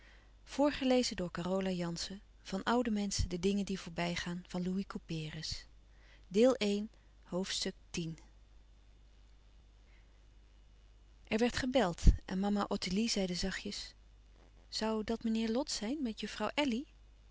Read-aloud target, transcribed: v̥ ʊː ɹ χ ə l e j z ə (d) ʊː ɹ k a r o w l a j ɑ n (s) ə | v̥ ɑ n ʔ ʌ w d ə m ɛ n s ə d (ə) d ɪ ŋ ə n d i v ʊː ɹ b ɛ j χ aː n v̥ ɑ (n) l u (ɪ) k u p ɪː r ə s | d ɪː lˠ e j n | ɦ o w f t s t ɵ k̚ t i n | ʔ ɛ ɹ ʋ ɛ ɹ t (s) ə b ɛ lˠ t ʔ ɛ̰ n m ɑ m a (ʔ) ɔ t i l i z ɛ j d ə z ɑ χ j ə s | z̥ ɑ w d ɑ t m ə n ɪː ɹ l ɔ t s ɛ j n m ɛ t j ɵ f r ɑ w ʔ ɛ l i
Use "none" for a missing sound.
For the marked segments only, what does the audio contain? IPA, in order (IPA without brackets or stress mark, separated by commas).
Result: d, s, ə, n, i, χ, ʔ